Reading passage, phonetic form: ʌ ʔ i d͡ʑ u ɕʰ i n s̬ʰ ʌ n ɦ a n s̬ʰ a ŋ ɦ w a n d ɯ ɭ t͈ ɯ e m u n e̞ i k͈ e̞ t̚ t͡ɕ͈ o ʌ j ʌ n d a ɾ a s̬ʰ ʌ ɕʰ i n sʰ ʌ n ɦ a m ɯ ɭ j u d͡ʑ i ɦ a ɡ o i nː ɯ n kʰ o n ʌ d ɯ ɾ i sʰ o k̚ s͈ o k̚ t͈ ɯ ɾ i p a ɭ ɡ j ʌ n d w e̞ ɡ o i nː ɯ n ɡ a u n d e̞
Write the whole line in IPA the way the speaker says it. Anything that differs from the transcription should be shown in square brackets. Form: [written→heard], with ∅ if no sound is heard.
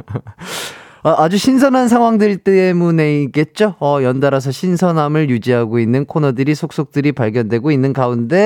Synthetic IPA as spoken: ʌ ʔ [i→a] d͡ʑ u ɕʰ i n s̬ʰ ʌ n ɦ a n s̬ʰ a ŋ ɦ w a [n→ŋ] d ɯ ɭ t͈ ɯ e m u n e̞ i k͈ e̞ t̚ t͡ɕ͈ o ʌ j ʌ n d a ɾ a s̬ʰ ʌ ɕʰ i n sʰ ʌ n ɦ a m ɯ ɭ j u d͡ʑ i ɦ a ɡ o i nː ɯ n kʰ o n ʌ d ɯ ɾ i sʰ o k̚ s͈ o k̚ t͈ ɯ ɾ i p a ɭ ɡ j ʌ n d w e̞ ɡ o i nː ɯ n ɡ a u n d e̞